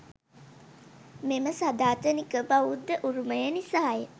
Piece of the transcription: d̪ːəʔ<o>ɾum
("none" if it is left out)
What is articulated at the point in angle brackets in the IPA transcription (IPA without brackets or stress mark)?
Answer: u